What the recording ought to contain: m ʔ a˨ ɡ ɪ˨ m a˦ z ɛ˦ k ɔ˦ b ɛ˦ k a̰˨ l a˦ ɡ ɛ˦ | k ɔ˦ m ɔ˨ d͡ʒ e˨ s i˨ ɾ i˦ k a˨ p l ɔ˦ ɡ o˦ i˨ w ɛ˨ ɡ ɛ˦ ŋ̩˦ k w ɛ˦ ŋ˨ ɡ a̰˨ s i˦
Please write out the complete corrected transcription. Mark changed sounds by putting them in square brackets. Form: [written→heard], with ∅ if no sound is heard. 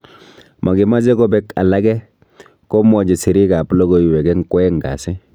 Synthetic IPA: m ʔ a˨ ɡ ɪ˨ m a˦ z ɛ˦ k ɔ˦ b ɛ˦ k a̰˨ l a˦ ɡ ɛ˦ | k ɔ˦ m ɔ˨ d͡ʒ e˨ s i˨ ɾ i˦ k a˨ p l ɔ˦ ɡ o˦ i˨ w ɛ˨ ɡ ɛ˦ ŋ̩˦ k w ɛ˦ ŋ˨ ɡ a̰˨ s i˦

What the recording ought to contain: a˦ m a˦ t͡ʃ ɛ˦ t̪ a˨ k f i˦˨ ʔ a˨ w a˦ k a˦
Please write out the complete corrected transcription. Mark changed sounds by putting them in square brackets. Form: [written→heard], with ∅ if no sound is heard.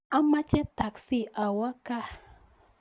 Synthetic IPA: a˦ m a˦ t͡ʃ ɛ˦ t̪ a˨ k [f→s] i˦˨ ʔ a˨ w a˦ k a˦

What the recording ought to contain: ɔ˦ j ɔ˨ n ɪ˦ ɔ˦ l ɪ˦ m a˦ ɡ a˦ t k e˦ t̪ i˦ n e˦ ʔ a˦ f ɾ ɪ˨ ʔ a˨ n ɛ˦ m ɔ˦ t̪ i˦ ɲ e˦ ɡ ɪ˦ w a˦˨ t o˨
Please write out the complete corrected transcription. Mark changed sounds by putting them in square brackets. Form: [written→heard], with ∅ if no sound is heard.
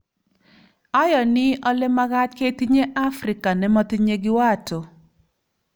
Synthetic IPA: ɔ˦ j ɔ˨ n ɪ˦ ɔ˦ l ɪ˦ m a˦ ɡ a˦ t k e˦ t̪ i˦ [n→ɲ] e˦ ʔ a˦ f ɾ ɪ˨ [ʔ→k] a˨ n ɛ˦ m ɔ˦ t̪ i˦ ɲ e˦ ɡ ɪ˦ w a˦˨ t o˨

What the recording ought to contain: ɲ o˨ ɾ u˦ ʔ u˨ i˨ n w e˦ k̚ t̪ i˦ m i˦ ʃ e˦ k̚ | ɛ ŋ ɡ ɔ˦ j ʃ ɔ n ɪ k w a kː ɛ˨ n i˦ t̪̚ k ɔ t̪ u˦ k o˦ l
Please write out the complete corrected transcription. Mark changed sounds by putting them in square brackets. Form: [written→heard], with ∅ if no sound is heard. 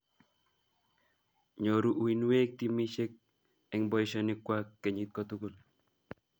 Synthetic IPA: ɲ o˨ ɾ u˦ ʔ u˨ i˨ n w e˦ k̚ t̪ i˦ m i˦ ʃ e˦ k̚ | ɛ ŋ [ɡ→b] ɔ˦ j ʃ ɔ n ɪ k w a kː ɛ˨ [n→ɲ] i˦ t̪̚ k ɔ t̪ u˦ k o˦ l

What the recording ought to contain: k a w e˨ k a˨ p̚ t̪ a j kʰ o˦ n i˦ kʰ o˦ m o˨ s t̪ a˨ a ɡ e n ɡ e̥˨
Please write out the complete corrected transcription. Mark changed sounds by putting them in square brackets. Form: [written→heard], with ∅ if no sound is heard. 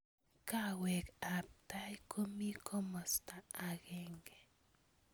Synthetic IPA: k a w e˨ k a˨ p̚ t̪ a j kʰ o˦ [n→m] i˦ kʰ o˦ m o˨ s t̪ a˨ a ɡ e [n→ŋ] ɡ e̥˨

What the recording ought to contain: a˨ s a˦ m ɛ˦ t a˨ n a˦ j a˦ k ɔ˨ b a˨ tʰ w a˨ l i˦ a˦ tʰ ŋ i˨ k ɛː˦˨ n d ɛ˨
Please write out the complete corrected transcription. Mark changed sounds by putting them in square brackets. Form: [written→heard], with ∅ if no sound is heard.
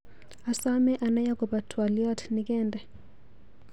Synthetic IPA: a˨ s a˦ m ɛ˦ [t→ʔ] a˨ n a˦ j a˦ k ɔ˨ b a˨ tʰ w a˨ l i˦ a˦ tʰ [ŋ→n] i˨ k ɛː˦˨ n d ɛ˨

